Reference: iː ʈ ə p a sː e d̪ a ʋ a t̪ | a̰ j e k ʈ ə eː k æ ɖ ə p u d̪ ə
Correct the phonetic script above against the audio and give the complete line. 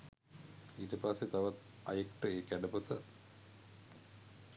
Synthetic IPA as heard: iː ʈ ə p a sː e t̪ a ʋ a t̪ | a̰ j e k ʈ ə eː k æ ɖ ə p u t̪ ə